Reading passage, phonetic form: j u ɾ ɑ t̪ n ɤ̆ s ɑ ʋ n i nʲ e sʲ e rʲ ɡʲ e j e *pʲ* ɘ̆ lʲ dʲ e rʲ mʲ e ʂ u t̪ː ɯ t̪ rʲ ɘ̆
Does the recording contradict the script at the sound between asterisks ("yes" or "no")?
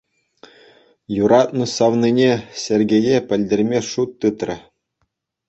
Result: no